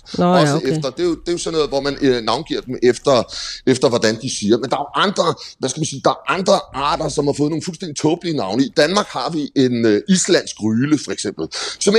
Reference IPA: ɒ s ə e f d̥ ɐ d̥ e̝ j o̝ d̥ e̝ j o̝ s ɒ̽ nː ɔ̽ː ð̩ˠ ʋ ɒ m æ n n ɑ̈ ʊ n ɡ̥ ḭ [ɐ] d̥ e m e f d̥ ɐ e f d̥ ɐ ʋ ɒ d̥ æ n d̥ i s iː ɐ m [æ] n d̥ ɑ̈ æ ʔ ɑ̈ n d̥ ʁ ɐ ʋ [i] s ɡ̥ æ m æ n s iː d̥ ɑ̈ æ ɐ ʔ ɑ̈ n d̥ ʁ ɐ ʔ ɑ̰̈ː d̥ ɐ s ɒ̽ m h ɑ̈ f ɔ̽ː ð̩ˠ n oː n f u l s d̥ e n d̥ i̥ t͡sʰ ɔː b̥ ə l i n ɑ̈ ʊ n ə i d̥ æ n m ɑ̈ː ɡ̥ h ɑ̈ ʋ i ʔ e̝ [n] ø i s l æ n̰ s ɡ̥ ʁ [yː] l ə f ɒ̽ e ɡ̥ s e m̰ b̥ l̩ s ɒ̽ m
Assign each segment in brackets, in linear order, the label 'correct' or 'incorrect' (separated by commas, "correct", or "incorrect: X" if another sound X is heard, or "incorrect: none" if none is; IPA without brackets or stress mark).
correct, incorrect: e, incorrect: æ, correct, correct